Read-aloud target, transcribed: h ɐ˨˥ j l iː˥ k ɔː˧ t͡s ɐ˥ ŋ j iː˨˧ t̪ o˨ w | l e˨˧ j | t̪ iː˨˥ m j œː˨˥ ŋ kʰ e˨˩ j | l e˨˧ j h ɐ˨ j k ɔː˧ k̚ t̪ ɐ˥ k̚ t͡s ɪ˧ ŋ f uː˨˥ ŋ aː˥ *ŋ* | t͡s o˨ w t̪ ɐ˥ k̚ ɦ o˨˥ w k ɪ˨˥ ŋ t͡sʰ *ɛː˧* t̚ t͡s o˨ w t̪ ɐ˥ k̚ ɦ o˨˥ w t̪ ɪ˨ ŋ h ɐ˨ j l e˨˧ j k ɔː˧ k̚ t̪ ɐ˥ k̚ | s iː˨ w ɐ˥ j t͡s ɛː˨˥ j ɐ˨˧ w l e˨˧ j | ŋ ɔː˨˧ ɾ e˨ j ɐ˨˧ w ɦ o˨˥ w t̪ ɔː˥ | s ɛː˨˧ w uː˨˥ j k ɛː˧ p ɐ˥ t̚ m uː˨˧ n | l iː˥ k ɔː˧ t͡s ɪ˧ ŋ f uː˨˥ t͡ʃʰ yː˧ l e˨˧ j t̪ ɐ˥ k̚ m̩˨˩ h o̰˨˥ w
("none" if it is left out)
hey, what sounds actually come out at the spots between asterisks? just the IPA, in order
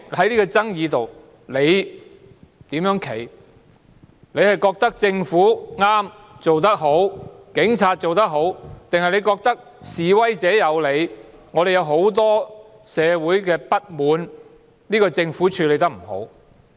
m, aː˧

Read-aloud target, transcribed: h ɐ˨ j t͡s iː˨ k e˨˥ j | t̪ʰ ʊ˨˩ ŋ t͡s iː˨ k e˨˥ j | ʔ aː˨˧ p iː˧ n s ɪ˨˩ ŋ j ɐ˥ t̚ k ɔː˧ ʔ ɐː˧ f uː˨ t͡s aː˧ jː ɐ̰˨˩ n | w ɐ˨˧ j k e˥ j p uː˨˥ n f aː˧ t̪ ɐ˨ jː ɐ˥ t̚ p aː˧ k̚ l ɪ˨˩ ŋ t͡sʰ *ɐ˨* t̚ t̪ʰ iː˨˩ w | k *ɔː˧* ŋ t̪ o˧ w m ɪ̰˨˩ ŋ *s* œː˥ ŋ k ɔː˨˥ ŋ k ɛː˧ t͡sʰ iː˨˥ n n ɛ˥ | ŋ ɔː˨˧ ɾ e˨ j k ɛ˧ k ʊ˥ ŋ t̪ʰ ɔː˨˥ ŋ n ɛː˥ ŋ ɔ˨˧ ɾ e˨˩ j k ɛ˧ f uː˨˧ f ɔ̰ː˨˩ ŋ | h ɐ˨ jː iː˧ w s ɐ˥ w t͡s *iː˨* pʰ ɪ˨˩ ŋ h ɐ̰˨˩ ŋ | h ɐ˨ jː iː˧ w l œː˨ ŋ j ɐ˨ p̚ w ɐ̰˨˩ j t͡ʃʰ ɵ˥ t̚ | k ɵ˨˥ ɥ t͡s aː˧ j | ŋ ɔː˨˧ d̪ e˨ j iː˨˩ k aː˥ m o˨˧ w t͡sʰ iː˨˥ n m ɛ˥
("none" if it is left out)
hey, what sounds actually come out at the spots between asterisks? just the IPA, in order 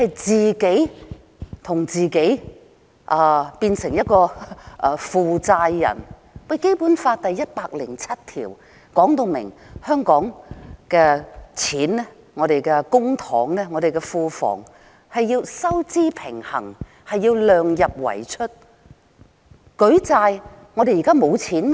ɐ˥, ɔː˨˥, h, iː˥

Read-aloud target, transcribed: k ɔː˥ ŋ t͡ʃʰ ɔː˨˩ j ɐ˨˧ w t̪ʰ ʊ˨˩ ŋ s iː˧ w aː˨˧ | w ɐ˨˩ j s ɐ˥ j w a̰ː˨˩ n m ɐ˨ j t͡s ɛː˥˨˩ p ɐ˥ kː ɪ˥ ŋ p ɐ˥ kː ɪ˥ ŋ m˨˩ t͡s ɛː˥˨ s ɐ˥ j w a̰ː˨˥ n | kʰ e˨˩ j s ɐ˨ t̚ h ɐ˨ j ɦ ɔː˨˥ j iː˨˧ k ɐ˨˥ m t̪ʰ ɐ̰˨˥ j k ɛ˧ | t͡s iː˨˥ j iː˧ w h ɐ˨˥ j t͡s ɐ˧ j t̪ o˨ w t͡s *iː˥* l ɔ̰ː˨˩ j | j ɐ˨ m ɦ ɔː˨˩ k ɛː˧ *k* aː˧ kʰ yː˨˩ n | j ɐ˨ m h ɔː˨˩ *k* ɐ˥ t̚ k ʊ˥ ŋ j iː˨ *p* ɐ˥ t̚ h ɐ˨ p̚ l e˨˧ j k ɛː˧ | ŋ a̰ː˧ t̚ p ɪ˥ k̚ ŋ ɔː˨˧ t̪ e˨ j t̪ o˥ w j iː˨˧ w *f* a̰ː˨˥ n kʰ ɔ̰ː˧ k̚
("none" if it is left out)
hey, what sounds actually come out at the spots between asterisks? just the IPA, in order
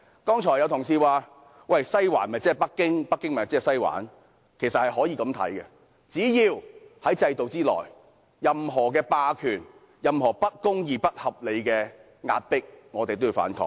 iː˥, p, p, p, f

